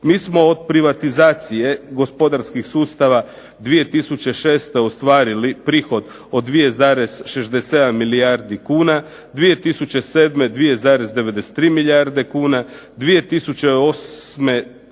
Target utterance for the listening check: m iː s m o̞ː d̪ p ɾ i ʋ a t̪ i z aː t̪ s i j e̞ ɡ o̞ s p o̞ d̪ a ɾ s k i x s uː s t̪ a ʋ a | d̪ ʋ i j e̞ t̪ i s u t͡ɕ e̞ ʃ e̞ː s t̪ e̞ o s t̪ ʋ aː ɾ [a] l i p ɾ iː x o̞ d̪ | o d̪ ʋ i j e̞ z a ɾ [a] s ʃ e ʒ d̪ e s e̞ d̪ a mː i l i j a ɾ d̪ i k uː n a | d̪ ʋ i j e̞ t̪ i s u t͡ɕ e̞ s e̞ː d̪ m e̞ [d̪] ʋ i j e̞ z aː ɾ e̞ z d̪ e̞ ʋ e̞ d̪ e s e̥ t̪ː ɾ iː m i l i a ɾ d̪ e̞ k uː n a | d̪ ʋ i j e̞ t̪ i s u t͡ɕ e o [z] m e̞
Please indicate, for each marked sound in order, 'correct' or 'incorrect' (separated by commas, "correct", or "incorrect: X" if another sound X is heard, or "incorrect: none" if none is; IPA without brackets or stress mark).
incorrect: i, incorrect: e, correct, incorrect: s